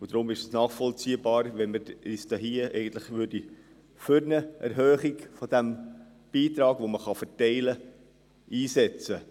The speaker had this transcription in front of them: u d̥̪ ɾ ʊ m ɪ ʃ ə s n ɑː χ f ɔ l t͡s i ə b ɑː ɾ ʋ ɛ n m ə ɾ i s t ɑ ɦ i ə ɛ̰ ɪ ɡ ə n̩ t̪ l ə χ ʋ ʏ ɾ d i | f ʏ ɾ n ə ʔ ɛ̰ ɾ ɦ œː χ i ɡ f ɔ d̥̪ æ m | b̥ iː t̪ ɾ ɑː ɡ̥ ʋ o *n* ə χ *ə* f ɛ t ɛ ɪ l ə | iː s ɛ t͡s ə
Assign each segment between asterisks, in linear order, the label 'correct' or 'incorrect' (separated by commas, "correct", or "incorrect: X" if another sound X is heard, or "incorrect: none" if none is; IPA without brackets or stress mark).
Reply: incorrect: m, incorrect: ɑ